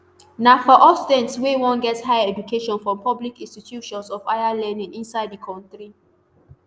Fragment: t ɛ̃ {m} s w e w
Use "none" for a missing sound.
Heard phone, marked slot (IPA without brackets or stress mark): n